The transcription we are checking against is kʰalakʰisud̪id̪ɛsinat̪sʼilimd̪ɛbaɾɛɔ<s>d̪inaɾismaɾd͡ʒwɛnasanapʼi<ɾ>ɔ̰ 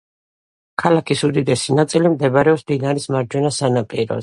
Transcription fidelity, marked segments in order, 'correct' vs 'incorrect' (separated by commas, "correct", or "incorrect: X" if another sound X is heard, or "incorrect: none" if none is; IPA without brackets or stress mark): correct, correct